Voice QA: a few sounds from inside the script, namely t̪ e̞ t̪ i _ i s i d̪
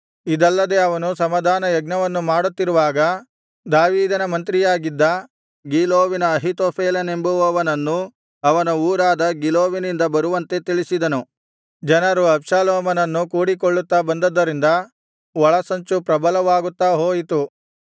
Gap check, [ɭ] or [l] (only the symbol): ɭ